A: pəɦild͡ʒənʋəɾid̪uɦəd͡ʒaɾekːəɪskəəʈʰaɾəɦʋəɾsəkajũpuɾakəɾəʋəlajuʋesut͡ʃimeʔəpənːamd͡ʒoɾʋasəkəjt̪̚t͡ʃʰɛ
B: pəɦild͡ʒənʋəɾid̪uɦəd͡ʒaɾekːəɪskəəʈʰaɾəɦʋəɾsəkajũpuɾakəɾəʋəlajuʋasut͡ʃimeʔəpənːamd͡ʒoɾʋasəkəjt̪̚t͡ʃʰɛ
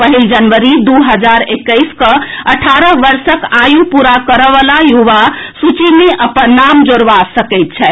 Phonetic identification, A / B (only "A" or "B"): B